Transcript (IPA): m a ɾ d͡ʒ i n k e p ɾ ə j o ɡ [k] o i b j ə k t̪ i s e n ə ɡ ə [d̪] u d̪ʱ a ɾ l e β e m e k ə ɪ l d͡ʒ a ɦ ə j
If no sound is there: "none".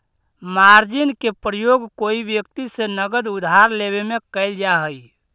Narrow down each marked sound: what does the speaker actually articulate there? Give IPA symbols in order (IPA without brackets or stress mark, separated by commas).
k, d̪